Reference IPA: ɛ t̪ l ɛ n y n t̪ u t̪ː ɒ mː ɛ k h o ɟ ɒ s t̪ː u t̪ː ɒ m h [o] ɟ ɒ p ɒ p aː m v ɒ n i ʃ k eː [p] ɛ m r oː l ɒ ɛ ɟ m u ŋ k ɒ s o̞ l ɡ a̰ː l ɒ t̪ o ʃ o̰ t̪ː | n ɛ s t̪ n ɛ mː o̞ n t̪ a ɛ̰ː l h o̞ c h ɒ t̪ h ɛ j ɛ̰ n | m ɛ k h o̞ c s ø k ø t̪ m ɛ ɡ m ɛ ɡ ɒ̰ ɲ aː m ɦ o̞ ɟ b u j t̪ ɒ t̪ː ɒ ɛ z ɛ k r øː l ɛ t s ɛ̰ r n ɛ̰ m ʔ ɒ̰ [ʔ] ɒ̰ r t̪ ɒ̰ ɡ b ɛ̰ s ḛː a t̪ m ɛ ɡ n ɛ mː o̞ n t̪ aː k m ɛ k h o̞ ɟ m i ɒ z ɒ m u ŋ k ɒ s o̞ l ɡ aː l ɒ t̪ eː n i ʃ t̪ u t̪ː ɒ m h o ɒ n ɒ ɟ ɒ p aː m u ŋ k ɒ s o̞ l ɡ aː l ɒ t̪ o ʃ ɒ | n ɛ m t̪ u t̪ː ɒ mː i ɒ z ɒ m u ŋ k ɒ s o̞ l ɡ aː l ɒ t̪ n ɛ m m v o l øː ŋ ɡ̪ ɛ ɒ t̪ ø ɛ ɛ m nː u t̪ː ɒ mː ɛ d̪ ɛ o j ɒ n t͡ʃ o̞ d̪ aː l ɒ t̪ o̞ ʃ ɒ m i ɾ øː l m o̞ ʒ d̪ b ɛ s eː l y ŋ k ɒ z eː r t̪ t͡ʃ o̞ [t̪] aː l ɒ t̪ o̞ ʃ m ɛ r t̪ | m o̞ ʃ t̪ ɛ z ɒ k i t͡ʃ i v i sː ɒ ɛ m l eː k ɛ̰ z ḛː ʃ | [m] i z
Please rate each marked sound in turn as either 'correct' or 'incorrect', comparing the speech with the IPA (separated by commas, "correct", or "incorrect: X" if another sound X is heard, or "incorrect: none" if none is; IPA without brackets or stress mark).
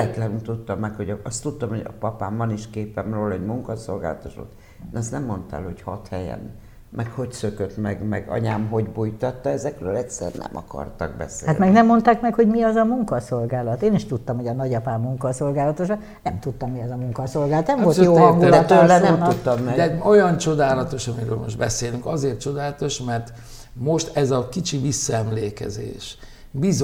correct, correct, incorrect: k, incorrect: d̪, incorrect: b